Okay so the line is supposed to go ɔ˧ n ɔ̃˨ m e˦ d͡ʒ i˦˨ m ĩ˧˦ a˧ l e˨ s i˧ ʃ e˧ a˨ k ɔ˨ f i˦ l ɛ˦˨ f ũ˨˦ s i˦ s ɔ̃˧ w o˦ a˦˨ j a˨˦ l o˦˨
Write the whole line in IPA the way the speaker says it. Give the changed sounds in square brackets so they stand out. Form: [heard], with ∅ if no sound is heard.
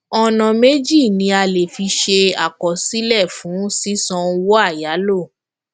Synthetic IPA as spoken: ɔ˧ n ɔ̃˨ m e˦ d͡ʒ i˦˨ [n] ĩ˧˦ a˧ l e˨ [f] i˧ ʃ e˧ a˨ k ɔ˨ [s] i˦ l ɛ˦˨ f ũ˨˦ s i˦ s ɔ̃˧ w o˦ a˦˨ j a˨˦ l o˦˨